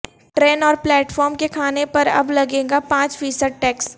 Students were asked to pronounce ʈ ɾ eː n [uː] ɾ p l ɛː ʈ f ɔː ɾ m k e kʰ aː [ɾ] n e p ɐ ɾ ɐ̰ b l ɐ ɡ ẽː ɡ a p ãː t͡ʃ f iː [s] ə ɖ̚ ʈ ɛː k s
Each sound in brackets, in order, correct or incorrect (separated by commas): incorrect, incorrect, correct